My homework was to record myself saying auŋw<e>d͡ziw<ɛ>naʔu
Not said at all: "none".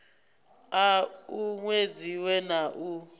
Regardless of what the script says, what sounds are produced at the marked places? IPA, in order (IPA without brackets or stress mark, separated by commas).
e, ɛ